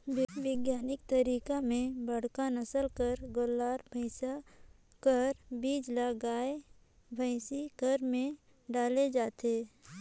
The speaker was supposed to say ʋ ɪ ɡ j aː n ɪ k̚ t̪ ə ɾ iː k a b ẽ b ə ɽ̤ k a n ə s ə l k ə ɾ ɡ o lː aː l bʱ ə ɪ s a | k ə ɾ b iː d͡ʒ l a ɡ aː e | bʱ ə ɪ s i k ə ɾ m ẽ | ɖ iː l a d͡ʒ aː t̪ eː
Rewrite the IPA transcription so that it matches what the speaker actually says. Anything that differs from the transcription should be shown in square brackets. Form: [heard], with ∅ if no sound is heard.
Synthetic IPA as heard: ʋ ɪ ɡ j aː n ɪ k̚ t̪ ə ɾ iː k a [m] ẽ b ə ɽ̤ k a n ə s ə l k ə ɾ ɡ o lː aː [ɾ] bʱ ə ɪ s a | k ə ɾ b iː d͡ʒ l a ɡ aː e | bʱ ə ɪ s i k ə ɾ m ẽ | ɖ [aː] l [e] d͡ʒ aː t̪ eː